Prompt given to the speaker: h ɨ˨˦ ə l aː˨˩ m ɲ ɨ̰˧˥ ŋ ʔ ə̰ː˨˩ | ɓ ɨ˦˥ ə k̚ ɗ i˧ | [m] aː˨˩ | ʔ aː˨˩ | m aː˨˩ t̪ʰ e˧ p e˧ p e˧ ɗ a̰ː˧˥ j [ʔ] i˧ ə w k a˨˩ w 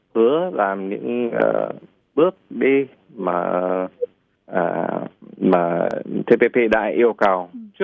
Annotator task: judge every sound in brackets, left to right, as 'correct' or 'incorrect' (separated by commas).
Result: correct, correct